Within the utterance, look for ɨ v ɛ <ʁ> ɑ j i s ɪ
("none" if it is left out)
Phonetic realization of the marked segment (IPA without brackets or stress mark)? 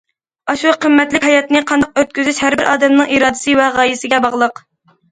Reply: ʁ